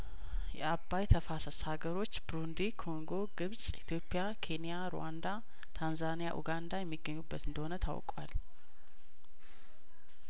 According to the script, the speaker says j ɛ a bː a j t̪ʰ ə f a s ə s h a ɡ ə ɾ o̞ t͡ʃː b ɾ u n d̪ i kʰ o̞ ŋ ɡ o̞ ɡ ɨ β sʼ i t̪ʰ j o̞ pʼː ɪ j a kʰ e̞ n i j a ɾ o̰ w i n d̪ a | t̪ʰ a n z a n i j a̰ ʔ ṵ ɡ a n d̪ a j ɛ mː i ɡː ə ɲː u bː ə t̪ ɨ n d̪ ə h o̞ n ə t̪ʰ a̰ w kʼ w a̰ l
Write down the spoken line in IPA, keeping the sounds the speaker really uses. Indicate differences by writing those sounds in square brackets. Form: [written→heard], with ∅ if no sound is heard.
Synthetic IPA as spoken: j ɛ a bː a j t̪ʰ ə f a s ə s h a ɡ ə ɾ o̞ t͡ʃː b ɾ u n d̪ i kʰ o̞ ŋ ɡ o̞ ɡ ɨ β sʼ i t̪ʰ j o̞ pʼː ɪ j a kʰ e̞ n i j a ɾ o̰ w [i→a] n d̪ a | t̪ʰ a n z a n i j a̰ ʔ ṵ ɡ a n d̪ a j ɛ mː i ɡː ə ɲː u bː ə t̪ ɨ n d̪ ə h o̞ n ə t̪ʰ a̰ w kʼ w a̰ l